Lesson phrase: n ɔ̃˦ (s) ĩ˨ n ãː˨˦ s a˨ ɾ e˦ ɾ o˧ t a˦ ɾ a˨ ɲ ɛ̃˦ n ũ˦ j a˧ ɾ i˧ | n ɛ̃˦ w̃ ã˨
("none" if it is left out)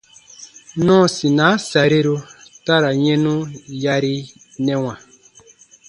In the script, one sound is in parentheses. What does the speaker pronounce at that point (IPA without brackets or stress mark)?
s